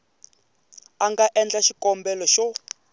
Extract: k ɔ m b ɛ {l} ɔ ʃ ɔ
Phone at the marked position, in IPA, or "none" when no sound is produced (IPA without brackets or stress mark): l